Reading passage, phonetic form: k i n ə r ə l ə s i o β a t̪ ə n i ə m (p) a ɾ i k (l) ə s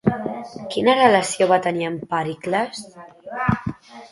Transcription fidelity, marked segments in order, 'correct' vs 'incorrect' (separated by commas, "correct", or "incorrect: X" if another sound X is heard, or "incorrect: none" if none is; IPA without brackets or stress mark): correct, correct